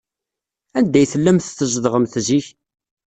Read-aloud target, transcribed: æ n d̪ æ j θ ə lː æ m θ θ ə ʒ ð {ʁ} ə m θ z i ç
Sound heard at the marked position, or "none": ʁ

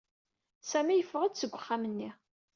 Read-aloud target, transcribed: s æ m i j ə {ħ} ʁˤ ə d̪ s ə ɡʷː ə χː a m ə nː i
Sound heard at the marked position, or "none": f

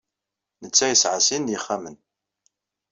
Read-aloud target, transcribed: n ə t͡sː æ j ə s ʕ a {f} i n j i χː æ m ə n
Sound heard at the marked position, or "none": s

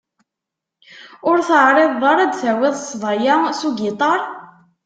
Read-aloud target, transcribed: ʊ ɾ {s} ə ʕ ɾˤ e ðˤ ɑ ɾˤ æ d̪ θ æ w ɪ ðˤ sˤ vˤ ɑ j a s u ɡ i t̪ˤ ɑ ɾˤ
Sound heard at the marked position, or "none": θ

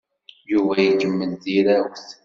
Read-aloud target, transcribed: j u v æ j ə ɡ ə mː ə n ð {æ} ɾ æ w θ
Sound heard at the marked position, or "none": i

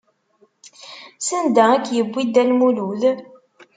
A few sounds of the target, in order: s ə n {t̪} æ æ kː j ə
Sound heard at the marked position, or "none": d̪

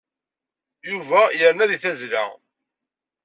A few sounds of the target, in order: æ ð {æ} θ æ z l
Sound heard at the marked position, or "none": i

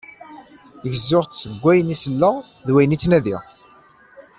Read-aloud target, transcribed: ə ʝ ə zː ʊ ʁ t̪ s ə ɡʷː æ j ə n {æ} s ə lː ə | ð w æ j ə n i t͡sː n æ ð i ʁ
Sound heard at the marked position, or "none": i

